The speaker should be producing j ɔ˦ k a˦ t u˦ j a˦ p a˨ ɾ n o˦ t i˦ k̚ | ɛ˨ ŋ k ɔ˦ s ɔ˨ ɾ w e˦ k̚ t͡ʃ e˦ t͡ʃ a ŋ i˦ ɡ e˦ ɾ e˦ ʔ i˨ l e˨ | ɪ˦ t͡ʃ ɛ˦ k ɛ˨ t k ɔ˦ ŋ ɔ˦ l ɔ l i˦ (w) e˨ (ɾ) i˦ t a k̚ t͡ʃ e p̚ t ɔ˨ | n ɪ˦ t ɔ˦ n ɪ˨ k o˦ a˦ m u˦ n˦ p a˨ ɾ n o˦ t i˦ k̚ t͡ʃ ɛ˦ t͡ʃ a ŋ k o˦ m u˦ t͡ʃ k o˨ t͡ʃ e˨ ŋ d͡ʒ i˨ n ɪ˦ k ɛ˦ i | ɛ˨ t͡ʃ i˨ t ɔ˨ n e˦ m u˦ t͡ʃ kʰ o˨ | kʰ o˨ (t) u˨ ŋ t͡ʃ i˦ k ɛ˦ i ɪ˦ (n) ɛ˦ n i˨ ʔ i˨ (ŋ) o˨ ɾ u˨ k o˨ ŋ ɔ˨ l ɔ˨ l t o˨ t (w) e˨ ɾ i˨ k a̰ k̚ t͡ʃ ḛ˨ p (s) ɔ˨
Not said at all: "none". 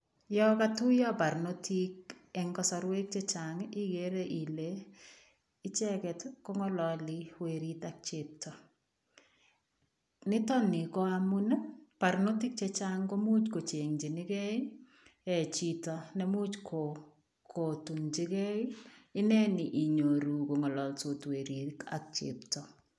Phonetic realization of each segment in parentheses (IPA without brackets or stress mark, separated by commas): w, ɾ, t, n, ɲ, w, t